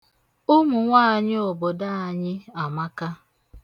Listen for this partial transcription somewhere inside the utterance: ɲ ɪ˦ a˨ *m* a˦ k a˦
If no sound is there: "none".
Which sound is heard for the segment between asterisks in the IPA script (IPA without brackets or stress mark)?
m